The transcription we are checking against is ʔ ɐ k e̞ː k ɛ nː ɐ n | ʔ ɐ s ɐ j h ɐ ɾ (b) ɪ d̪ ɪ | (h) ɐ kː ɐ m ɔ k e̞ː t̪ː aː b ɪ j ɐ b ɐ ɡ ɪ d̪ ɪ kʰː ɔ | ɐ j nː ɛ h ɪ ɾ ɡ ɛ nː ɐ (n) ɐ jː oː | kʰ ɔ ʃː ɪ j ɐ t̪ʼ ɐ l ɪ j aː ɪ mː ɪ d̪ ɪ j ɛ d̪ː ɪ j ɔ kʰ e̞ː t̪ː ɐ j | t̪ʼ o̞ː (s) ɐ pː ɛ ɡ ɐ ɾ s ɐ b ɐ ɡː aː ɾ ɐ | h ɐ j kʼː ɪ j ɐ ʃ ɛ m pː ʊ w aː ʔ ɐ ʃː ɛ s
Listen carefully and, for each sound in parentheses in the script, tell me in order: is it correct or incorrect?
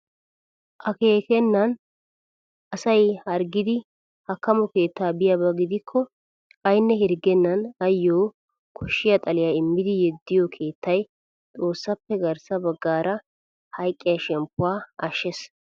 incorrect: ɡ, correct, correct, incorrect: sː

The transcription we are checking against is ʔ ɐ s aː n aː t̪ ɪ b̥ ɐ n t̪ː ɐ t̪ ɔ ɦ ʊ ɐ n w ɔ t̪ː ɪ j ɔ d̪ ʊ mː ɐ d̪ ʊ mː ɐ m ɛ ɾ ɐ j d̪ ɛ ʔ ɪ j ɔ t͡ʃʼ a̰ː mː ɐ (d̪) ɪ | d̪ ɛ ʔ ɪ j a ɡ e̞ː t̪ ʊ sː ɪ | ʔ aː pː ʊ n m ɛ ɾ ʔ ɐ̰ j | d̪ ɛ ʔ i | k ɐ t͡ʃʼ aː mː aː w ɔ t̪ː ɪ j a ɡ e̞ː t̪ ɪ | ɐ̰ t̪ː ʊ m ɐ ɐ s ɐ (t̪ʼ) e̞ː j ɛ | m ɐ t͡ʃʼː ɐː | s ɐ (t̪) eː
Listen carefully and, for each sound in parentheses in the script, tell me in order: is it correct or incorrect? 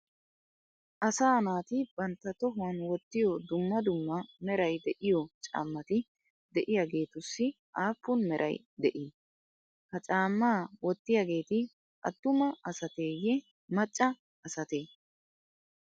incorrect: t̪, incorrect: t̪, correct

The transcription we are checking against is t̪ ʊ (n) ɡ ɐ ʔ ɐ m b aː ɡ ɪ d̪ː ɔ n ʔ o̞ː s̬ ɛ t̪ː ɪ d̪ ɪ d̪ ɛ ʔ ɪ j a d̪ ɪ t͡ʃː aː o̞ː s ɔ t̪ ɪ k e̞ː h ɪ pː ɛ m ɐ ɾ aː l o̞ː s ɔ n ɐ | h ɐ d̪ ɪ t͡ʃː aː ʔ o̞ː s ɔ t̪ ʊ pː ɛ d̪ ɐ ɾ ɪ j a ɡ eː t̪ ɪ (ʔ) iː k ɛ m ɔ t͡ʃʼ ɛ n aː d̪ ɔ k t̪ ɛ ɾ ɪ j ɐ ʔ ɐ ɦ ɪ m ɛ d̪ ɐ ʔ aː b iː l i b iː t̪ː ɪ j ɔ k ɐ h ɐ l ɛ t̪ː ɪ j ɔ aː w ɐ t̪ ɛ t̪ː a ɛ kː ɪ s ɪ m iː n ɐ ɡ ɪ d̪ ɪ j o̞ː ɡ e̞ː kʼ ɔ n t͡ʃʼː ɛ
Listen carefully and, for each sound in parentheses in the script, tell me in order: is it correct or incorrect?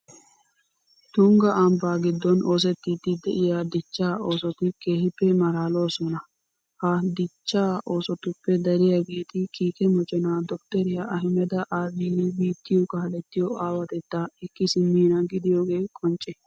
incorrect: ŋ, incorrect: k

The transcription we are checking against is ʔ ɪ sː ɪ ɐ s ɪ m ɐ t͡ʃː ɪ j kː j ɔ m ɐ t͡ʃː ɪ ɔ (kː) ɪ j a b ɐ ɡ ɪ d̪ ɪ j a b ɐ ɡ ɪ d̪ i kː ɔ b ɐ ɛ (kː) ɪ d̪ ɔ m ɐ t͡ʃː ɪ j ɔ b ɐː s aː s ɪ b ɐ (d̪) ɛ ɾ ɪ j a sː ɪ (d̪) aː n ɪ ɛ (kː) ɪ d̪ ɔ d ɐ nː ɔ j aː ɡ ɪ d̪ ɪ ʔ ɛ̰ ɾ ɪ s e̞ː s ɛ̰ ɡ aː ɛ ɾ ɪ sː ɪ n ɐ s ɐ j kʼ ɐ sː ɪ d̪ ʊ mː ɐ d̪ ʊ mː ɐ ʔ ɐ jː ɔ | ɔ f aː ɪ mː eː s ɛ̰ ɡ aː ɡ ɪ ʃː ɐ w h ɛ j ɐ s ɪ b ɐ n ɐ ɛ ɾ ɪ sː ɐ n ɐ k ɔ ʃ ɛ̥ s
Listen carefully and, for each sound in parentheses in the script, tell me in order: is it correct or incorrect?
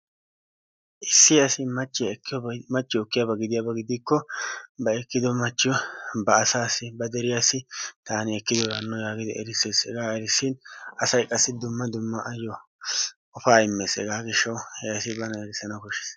correct, correct, correct, incorrect: t̪, correct

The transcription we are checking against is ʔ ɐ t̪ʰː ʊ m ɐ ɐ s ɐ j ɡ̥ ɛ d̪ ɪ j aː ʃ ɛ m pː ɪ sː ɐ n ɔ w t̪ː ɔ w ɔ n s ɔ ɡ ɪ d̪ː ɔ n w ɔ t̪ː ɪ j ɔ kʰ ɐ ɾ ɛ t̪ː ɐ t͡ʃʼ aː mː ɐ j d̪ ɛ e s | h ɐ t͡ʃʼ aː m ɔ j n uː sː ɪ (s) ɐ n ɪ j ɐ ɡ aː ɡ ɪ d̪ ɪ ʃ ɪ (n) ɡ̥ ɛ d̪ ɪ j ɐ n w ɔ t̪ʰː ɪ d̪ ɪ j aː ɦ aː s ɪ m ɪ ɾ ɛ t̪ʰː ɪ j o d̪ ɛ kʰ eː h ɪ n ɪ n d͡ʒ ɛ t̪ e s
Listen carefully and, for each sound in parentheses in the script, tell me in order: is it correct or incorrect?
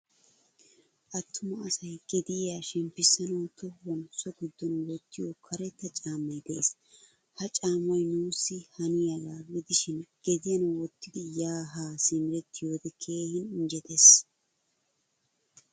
incorrect: h, correct

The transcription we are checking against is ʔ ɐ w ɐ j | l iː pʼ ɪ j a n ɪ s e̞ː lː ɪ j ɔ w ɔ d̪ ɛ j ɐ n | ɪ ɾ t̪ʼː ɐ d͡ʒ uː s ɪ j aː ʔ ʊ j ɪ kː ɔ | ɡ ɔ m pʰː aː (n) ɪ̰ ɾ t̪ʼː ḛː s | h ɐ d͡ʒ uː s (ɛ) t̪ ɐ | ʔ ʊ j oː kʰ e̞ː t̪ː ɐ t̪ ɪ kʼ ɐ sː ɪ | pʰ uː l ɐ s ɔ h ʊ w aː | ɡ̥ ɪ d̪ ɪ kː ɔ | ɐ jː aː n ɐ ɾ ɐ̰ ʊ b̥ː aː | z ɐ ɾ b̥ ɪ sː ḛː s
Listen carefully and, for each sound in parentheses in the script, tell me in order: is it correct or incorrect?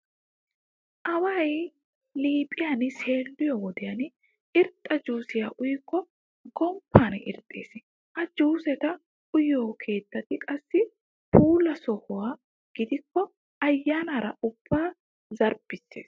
correct, correct

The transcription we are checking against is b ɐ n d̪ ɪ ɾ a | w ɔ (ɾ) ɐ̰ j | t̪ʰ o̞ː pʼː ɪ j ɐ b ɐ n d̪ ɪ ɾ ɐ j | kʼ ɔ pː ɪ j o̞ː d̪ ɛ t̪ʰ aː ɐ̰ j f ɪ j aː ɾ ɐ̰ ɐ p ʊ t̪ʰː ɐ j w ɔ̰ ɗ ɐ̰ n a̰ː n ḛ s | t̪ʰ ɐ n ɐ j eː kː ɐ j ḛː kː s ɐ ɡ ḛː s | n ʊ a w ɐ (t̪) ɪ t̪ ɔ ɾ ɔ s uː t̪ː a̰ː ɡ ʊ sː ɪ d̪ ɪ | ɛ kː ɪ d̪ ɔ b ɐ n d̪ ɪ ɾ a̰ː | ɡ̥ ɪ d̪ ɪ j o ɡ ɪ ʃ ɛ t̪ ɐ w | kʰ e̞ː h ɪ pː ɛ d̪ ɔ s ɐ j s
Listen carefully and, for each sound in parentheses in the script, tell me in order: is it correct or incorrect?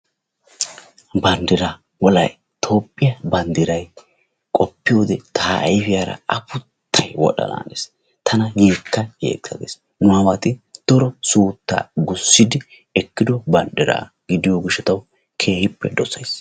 incorrect: l, correct

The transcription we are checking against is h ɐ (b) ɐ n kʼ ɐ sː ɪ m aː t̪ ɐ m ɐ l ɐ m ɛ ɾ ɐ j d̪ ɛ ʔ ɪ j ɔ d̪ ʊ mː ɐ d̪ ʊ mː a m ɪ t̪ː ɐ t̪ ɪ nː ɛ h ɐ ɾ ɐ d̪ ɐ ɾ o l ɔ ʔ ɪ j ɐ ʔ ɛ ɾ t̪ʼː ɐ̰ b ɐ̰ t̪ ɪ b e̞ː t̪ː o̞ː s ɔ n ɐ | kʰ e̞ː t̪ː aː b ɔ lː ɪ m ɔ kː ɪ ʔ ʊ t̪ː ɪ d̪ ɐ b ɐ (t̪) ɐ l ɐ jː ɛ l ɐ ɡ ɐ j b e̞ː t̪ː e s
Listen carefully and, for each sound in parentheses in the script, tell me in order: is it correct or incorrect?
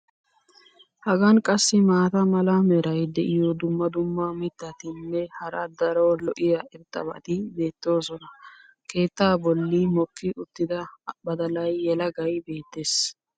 incorrect: ɡ, incorrect: d̪

